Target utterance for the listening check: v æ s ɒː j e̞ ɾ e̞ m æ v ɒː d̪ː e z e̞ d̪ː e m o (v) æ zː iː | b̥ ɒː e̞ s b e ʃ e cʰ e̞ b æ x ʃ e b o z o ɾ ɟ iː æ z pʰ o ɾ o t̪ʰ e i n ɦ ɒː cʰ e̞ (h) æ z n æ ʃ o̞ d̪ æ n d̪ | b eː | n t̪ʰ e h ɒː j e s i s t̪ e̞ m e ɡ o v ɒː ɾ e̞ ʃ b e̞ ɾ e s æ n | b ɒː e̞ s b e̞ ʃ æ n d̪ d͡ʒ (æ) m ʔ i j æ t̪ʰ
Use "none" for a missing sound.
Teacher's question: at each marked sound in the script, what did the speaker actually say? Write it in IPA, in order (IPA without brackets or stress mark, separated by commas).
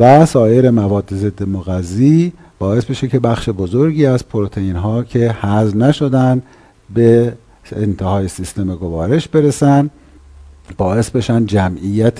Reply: ɣ, h, æ